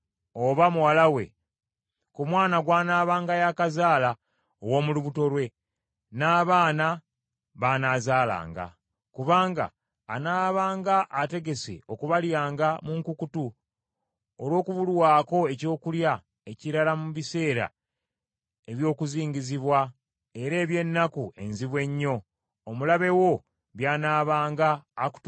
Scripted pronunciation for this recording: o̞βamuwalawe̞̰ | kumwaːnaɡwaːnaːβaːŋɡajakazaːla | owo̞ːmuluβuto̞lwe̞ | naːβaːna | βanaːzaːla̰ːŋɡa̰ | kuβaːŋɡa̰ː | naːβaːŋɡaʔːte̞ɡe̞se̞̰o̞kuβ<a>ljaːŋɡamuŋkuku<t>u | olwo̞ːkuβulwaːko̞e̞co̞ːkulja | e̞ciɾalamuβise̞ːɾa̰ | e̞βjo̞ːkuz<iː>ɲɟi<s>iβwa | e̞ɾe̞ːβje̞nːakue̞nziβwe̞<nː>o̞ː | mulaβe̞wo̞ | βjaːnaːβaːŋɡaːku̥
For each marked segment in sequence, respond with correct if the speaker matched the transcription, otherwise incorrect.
correct, correct, correct, incorrect, incorrect

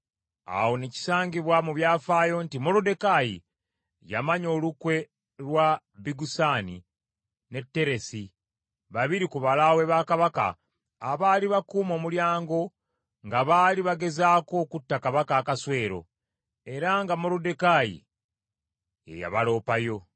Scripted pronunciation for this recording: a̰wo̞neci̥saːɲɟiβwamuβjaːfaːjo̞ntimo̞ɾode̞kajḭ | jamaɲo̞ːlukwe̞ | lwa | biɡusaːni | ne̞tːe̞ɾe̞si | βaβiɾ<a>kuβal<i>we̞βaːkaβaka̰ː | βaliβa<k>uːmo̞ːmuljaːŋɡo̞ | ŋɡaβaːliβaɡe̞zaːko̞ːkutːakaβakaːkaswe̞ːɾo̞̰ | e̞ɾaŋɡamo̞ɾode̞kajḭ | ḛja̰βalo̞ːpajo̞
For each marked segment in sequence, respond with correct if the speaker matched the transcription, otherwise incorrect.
incorrect, incorrect, correct

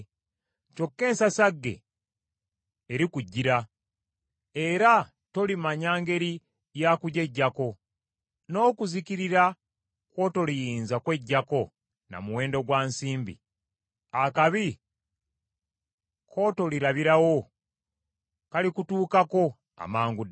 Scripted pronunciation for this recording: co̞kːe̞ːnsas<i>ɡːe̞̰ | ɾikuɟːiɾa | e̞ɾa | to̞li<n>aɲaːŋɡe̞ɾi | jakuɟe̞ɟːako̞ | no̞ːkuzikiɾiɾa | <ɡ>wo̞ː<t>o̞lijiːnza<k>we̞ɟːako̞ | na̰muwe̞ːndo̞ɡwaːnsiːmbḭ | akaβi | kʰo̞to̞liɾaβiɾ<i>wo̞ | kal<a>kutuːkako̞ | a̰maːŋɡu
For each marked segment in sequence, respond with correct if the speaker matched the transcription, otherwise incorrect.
incorrect, incorrect, incorrect, correct, correct, incorrect, incorrect

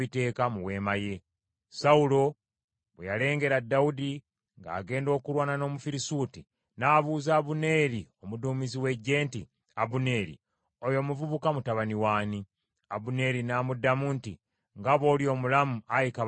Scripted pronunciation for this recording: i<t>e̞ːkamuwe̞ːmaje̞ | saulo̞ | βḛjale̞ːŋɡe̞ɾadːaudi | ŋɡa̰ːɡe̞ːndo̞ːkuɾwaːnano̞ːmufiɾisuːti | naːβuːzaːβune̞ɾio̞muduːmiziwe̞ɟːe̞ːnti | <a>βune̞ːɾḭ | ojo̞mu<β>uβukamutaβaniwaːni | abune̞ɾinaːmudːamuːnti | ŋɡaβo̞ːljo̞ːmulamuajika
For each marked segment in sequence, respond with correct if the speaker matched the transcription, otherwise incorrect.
correct, correct, incorrect

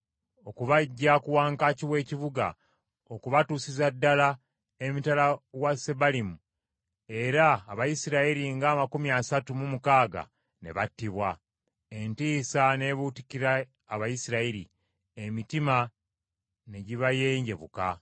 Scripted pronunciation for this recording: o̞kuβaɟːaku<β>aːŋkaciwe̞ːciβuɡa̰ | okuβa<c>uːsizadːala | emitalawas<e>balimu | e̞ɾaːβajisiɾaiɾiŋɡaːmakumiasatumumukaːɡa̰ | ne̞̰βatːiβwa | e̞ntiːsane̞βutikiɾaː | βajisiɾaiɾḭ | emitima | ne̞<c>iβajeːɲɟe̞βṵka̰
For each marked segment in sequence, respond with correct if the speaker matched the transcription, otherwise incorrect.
incorrect, incorrect, correct, incorrect

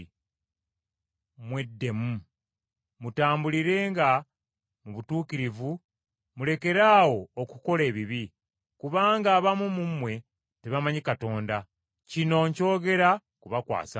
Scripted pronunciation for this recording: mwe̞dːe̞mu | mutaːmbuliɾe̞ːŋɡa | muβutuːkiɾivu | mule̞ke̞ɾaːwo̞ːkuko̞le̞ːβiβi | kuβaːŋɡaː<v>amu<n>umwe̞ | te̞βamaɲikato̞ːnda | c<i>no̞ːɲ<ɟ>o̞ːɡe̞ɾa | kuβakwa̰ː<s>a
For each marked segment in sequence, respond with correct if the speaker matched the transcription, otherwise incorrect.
incorrect, incorrect, correct, incorrect, correct

